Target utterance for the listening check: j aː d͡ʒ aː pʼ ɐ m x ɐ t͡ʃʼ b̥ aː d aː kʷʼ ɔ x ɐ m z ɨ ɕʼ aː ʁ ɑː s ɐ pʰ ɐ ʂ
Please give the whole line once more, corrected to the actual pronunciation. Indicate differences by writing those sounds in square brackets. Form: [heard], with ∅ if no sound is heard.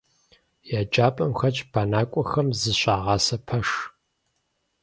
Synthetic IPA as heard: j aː d͡ʒ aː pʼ ɐ m x ɐ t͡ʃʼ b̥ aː [n] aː kʷʼ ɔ x ɐ m z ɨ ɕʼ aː ʁ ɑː s ɐ pʰ ɐ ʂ